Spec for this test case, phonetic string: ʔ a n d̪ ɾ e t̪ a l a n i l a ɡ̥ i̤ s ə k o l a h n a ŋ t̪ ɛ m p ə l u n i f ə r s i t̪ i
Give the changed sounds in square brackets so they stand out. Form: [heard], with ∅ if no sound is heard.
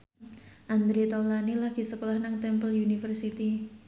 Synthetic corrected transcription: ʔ a n d̪ ɾ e t̪ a l a n i l a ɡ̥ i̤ s ə k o l a h n a ŋ t̪ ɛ m p ə l u n i f ə r s i t̪ i